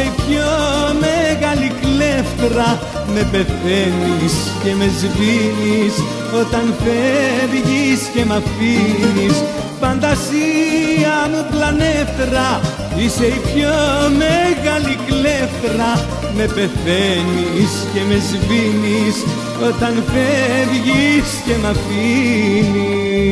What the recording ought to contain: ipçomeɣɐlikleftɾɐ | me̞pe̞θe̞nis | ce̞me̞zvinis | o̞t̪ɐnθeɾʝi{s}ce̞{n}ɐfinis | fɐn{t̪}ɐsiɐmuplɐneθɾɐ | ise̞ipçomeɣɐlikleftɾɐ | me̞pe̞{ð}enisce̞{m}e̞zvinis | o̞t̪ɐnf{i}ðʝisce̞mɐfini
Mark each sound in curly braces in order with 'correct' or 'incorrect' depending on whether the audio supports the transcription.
correct, incorrect, incorrect, incorrect, correct, incorrect

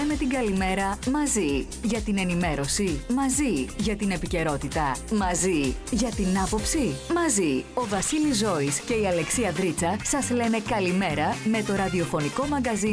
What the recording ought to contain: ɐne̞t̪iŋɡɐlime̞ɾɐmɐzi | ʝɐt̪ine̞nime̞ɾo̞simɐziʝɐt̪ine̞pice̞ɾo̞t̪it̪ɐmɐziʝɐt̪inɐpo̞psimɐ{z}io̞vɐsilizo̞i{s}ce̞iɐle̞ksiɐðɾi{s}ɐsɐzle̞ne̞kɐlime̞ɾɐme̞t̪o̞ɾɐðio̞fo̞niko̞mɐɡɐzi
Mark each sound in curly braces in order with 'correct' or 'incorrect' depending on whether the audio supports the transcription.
correct, correct, incorrect

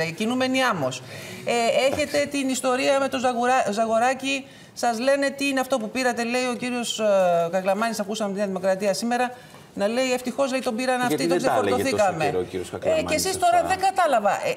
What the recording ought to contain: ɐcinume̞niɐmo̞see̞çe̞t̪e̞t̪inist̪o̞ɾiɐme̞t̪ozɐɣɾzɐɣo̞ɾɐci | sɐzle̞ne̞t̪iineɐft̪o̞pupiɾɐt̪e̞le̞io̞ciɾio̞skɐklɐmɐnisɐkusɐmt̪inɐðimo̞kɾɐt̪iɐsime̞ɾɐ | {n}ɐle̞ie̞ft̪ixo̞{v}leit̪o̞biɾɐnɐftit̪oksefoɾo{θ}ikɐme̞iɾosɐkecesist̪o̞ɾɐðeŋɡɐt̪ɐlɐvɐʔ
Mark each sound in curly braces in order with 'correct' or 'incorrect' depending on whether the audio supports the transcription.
correct, incorrect, correct

